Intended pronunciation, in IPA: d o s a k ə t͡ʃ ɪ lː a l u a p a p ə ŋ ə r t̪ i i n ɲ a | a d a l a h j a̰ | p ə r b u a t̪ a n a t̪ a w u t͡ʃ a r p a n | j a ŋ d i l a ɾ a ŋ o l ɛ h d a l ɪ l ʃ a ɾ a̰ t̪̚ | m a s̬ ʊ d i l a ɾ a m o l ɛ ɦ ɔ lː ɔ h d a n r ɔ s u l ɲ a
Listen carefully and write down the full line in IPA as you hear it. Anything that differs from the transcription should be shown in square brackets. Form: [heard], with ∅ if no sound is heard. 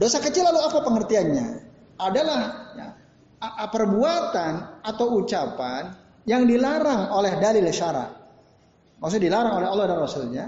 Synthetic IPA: d o s a k ə t͡ʃ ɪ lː a l u a p a p ə ŋ ə r t̪ i [a] n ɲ a | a d a l a h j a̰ | p ə r b u a t̪ a n a t̪ a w u t͡ʃ a [∅] p a n | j a ŋ d i l a ɾ a ŋ o l ɛ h d a l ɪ l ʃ a ɾ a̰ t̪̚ | m a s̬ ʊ d i l a ɾ a [ŋ] o l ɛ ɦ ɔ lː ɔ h d a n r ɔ s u l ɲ a